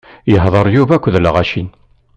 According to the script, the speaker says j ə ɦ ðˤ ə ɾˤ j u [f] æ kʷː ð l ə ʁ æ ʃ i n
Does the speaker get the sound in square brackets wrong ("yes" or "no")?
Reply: yes